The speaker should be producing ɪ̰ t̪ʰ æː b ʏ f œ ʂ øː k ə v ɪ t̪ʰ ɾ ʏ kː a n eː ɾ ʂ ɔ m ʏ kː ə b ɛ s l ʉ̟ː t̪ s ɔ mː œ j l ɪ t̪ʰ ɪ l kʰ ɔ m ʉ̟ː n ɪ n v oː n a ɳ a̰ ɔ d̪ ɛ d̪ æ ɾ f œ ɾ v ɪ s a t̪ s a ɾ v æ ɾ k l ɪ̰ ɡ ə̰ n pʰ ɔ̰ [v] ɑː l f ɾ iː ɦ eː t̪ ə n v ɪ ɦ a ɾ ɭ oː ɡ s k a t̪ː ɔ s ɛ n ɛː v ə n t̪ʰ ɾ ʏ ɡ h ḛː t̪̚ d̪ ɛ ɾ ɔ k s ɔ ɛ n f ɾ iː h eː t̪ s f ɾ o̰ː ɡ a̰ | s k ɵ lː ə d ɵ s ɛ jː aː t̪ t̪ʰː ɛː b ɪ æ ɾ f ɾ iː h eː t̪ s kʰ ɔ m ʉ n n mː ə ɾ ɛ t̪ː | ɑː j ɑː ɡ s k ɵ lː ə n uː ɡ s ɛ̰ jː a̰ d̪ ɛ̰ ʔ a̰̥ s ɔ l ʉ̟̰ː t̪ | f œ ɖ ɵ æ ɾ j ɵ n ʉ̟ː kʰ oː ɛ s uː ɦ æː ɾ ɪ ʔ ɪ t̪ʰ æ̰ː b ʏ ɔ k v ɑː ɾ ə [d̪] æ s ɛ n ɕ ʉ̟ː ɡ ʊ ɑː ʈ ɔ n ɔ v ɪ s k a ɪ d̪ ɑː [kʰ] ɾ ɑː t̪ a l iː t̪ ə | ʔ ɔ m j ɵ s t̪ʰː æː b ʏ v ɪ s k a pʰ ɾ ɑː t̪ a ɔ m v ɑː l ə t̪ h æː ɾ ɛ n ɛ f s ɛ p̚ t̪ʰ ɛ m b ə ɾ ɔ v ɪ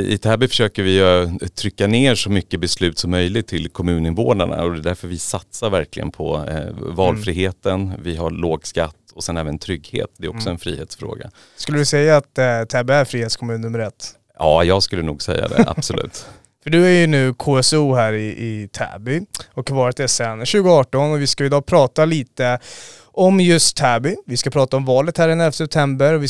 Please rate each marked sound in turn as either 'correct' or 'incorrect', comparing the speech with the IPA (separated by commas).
correct, incorrect, incorrect